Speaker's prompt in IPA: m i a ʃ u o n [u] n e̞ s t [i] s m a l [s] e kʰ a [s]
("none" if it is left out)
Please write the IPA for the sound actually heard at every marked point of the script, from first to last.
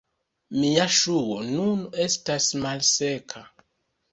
u, a, s, none

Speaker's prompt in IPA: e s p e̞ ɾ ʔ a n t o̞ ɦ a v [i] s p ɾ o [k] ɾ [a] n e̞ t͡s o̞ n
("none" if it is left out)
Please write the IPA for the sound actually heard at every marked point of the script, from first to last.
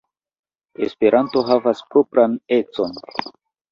a, p, a

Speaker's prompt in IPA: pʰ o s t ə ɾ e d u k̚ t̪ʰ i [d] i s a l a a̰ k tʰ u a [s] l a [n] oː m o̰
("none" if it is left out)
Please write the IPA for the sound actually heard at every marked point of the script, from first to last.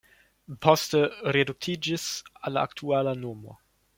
d͡ʒ, none, n

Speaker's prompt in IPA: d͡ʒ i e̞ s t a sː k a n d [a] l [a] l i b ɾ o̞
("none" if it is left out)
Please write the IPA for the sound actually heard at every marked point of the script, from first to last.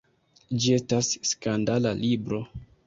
a, a

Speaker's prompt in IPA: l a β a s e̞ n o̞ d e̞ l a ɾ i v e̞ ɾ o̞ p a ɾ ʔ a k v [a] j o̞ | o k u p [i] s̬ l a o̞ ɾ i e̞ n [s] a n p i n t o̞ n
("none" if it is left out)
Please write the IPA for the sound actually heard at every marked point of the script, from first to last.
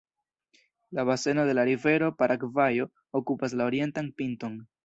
a, a, t

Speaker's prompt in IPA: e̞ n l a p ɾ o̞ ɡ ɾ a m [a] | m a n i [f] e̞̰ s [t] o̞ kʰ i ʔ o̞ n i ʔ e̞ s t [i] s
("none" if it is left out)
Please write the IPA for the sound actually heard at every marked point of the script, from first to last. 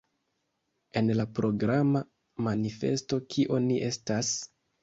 a, f, t, a

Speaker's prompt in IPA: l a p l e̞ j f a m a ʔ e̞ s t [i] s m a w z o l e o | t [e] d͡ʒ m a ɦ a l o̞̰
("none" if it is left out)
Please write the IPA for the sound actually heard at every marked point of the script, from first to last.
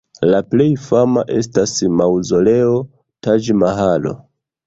a, a

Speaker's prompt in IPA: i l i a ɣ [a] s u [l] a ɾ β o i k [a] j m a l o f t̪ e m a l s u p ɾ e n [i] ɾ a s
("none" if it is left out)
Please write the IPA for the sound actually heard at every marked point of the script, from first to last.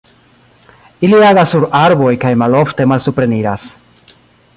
a, ɾ, a, i

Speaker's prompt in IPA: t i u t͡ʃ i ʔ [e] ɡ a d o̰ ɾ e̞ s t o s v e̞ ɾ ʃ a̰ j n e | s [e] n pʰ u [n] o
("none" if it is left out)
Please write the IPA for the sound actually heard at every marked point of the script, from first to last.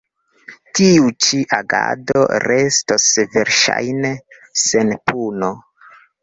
a, e, n

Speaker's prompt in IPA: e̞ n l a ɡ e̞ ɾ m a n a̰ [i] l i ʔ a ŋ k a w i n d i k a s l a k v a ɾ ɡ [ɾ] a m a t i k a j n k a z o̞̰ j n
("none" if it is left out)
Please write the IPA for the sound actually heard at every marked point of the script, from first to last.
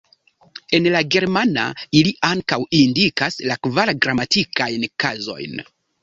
i, ɾ

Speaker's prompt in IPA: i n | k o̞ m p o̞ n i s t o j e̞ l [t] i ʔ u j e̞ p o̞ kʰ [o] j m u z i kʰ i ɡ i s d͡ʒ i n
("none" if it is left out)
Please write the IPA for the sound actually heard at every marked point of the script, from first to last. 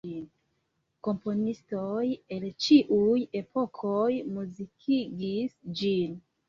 t͡ʃ, o

